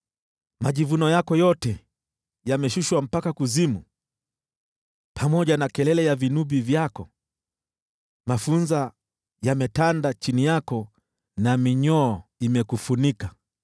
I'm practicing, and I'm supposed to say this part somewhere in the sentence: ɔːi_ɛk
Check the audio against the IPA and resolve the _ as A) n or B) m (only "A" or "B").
B